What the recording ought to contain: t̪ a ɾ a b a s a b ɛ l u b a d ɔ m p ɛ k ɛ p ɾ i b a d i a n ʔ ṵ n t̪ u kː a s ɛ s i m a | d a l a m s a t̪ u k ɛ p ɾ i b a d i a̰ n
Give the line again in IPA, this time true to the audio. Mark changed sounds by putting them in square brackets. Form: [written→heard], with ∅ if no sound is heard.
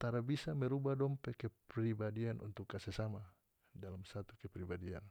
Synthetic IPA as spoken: t̪ a ɾ a b [a→i] s a [b→m] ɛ [l→ɾ] u b a d ɔ m p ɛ k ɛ p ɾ i b a d i a n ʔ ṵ n t̪ u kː a s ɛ s [i→a] m a | d a l a m s a t̪ u k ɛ p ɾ i b a d i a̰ n

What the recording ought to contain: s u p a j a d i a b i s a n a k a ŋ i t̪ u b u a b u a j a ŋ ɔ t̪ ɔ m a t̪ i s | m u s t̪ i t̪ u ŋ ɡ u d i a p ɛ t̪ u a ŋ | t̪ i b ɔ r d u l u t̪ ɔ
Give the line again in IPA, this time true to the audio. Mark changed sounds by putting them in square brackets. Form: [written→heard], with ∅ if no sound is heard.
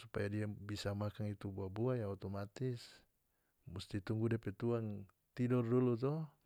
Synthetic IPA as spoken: s u p a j a d i a b i s a [n→m] a k a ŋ i t̪ u b u a b u a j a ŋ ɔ t̪ ɔ m a t̪ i s | m u s t̪ i t̪ u ŋ ɡ u d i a p ɛ t̪ u a ŋ | t̪ i [b→d] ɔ r d u l u t̪ ɔ

